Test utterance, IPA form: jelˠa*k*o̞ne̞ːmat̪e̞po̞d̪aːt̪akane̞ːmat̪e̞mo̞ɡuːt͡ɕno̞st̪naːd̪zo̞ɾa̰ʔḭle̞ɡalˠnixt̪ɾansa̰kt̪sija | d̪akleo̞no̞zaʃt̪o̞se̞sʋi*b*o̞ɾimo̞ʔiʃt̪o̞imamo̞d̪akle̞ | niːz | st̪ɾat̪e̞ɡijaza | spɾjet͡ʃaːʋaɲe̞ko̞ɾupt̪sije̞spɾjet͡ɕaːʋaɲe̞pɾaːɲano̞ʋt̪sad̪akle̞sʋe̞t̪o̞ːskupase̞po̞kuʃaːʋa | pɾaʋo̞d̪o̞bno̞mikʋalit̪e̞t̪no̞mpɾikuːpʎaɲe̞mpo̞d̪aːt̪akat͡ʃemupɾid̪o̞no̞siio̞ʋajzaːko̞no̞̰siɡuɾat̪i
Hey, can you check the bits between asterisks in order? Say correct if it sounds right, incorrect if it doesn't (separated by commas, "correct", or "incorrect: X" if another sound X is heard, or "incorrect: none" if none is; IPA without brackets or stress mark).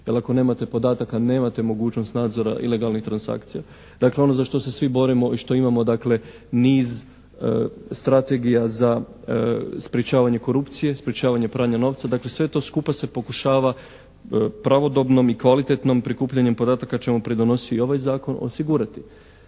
correct, correct